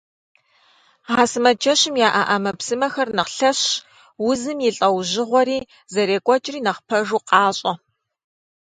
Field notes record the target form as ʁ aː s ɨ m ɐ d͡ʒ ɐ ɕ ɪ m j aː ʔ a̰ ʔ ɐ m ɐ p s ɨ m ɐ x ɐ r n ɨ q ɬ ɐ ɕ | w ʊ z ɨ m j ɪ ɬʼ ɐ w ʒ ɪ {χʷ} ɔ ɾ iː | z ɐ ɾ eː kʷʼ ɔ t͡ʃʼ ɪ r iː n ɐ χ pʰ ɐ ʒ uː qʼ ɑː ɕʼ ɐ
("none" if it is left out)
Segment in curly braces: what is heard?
ʁʷ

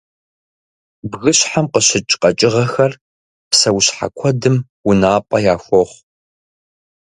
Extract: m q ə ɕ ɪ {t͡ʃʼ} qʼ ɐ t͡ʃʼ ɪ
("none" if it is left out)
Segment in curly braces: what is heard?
t͡ʃʼ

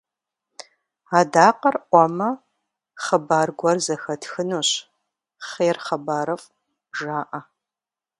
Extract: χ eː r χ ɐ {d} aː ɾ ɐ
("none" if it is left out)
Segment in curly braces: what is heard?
b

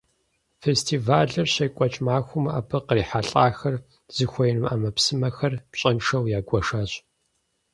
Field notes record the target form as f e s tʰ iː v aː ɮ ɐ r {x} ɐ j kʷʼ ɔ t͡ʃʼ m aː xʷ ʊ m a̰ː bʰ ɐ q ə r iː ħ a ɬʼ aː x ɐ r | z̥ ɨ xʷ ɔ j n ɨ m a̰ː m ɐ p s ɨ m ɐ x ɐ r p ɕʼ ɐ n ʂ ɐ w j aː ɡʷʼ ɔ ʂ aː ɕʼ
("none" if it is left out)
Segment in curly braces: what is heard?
ɕ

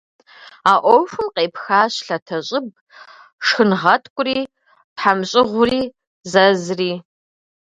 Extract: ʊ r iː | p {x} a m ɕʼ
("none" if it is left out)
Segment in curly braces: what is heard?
ħ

